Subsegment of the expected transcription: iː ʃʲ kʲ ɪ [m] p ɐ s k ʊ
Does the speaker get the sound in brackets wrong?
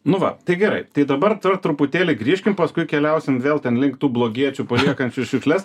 no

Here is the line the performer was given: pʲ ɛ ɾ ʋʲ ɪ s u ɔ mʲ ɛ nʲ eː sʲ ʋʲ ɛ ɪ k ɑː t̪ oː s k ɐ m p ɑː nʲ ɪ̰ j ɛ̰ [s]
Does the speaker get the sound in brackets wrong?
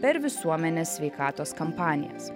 no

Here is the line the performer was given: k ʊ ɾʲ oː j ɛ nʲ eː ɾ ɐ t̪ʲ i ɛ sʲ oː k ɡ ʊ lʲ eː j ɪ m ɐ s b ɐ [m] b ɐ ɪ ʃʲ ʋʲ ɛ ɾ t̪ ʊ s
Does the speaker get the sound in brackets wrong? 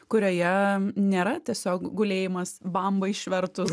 no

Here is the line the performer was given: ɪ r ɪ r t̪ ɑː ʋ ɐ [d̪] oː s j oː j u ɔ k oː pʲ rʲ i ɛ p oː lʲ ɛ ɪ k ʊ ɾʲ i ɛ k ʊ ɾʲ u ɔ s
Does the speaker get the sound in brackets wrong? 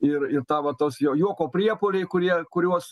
yes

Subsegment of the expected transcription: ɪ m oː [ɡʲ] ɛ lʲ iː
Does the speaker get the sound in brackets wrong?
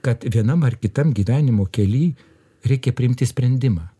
yes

